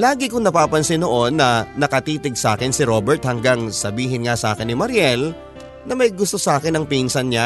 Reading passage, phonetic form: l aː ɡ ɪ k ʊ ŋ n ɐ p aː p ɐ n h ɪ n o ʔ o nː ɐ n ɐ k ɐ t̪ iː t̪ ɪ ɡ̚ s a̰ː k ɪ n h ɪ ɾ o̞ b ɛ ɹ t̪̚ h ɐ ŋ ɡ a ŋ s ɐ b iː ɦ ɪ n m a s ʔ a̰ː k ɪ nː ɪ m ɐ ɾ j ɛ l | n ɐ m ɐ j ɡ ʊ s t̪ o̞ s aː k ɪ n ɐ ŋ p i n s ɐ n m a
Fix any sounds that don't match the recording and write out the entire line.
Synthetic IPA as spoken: l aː ɡ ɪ k ʊ ŋ n ɐ p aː p ɐ n s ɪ n o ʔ o nː ɐ n ɐ k ɐ t̪ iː t̪ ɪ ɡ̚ s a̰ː k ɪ n s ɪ ɾ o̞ b ɛ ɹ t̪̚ h ɐ ŋ ɡ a ŋ s ɐ b iː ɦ ɪ n ŋ a s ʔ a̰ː k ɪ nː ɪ m ɐ ɾ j ɛ l | n ɐ m ɐ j ɡ ʊ s t̪ o̞ s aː k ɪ n ɐ ŋ p i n s ɐ n ɲ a